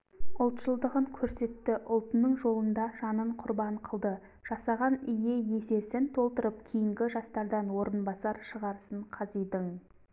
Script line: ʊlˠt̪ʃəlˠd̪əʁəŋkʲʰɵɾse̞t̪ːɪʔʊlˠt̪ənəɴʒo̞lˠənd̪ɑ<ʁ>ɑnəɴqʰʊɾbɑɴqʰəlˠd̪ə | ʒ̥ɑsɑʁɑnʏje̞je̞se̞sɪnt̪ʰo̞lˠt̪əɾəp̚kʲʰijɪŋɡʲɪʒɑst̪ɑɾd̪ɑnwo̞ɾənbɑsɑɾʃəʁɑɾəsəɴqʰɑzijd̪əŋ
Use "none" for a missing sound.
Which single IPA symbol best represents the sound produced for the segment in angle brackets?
ʒ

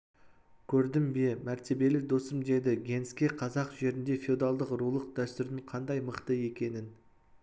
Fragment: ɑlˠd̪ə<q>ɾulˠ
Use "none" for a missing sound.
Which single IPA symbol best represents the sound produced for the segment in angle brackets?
q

